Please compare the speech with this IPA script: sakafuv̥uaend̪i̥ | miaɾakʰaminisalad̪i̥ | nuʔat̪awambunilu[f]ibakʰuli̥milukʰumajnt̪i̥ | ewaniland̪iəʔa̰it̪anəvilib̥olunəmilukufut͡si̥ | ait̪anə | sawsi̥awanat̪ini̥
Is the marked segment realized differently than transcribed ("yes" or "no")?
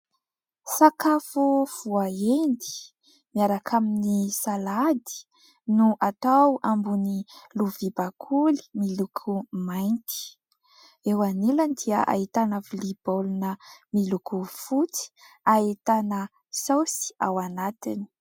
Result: yes